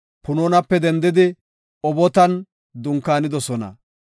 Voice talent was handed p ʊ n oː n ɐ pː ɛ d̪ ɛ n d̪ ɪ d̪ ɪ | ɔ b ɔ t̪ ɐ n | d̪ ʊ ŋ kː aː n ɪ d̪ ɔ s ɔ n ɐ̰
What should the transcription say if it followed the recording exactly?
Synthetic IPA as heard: p ʊ n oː n ɐ pː ɛ d̪ ɛ n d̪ ɪ d̪ ɪ | ɔ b ɔ t̪ ɐ n | d̪ ʊ ŋ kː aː n ɪ d̪ ɔ s ɔ n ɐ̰